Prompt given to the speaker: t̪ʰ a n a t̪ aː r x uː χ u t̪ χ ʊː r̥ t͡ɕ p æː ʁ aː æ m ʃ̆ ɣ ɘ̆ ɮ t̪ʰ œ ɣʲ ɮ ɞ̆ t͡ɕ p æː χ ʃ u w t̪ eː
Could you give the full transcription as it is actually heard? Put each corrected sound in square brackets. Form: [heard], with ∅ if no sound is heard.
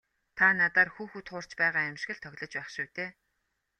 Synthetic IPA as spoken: t̪ʰ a n a t̪ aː r x uː [x] u t̪ χ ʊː r̥ t͡ɕ p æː ʁ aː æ m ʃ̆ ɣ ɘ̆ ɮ t̪ʰ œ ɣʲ ɮ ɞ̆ t͡ɕ p æː χ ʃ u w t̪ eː